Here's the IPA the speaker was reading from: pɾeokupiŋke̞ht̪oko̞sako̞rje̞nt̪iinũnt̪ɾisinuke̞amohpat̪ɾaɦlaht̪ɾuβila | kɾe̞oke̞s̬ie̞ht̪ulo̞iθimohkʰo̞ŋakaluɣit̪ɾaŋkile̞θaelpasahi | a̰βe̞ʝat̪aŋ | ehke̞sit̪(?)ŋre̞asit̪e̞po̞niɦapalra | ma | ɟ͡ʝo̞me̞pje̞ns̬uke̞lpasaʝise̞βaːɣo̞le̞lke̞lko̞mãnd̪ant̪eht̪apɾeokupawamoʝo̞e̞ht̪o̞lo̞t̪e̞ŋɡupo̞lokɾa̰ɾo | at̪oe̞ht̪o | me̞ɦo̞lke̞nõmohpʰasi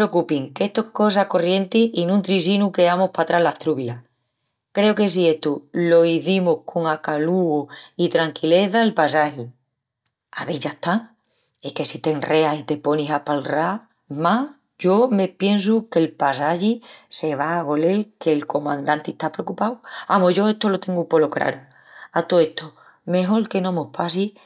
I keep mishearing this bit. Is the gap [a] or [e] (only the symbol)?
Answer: e